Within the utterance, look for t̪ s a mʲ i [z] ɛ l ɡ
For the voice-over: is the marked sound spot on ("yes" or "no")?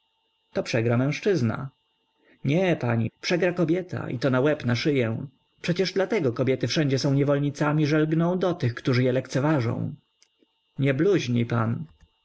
no